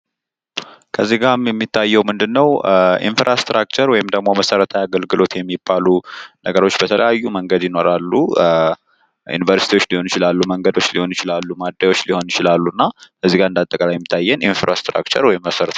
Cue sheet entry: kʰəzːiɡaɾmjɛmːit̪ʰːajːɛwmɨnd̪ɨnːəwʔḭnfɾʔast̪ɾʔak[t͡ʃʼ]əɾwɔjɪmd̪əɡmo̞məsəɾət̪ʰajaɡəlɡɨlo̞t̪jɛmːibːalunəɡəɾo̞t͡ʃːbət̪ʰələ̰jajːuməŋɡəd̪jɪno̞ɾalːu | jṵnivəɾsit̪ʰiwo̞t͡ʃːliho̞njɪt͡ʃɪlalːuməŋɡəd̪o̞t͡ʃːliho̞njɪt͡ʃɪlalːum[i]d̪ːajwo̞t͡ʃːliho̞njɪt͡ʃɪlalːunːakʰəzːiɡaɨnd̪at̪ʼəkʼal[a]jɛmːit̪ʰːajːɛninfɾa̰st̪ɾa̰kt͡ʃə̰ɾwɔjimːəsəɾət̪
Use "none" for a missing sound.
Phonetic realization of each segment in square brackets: t͡ʃ, a, a

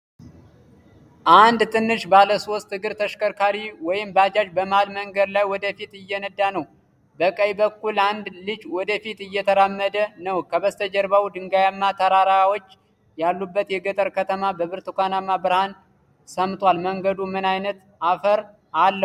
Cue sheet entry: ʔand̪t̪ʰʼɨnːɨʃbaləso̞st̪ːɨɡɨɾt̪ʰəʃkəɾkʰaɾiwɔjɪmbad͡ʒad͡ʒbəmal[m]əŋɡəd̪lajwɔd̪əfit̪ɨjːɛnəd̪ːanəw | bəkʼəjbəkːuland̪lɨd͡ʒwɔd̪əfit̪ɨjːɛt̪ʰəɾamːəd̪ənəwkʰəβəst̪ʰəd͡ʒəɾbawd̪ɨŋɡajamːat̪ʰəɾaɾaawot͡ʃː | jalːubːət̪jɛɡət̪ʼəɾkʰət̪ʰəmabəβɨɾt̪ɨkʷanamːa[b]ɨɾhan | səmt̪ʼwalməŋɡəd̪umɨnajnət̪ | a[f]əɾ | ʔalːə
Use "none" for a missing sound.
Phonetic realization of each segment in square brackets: m, b, f

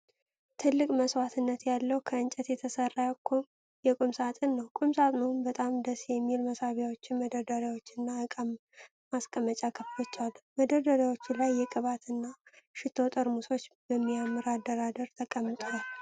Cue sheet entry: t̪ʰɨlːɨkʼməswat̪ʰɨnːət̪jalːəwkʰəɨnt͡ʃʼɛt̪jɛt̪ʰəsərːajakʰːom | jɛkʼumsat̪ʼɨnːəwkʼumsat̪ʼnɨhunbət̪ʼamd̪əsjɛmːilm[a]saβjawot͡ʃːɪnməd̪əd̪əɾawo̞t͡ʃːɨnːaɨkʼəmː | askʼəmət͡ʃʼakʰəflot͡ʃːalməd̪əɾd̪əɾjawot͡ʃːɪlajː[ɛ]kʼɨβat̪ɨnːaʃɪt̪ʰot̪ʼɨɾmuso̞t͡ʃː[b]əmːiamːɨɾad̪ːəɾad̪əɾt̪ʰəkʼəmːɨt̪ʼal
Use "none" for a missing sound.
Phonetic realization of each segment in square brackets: ə, ɛ, b

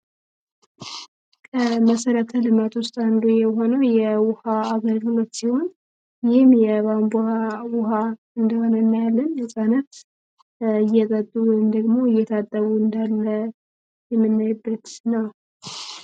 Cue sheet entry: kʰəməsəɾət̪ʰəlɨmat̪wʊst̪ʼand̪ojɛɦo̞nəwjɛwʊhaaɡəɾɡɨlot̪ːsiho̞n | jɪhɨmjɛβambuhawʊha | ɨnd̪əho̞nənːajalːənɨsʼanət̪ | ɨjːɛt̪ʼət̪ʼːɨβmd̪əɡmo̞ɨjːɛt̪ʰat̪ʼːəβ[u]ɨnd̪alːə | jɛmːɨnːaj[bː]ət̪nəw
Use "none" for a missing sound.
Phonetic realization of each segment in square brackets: u, bː

